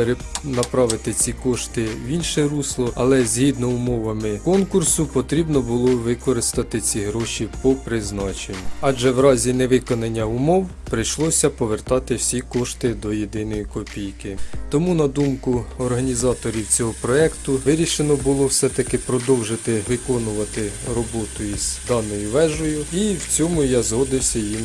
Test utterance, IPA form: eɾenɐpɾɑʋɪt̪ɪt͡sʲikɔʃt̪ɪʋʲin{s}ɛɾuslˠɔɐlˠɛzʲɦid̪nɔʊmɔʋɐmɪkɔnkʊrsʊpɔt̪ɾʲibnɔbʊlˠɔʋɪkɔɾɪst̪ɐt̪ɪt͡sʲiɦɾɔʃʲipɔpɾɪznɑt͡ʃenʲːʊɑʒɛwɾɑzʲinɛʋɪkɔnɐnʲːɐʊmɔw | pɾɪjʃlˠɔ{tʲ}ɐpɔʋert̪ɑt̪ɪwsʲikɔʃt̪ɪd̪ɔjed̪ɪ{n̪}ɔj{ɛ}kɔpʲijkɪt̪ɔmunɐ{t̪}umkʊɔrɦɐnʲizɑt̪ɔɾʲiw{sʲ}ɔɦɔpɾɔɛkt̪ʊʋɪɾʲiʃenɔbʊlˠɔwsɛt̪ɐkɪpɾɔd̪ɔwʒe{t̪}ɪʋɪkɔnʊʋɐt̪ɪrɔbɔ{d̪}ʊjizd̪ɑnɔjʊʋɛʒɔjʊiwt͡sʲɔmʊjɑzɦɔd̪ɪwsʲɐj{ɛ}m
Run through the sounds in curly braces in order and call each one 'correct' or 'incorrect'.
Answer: incorrect, incorrect, correct, incorrect, incorrect, incorrect, correct, incorrect, incorrect

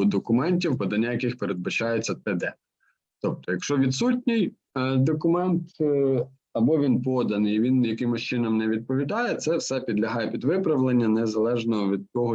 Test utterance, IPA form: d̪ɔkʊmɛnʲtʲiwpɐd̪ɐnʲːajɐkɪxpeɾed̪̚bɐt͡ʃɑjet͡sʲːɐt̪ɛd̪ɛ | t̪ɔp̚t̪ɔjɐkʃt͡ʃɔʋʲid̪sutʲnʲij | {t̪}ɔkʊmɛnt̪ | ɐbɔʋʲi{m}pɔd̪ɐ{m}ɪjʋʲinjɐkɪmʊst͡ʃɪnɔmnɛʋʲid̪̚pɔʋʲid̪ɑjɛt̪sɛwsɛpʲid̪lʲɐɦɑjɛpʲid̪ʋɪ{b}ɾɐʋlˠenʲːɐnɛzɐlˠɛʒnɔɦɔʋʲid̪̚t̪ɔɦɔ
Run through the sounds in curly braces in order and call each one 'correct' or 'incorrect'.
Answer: incorrect, incorrect, incorrect, incorrect

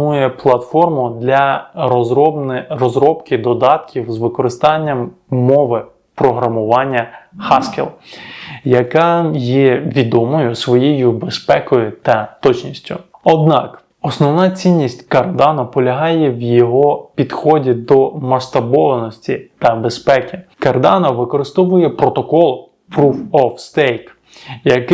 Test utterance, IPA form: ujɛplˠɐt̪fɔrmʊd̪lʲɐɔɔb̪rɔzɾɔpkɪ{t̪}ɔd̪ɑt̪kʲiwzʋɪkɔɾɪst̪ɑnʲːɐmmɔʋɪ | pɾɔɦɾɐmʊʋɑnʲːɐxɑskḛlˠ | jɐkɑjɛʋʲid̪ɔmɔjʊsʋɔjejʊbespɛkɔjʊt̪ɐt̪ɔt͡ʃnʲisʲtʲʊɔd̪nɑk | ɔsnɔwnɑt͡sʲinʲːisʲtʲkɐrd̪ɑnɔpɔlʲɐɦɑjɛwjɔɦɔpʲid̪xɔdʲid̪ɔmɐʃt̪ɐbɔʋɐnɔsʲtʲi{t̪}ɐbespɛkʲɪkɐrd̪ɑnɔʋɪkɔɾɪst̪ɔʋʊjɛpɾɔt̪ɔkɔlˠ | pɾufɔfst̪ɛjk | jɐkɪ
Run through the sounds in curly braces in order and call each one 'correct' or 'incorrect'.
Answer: incorrect, correct

